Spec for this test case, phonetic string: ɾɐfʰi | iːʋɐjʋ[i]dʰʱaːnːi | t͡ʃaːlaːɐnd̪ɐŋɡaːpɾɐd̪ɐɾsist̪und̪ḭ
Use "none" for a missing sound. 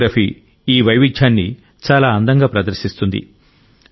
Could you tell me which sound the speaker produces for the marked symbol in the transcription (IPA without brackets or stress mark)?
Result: i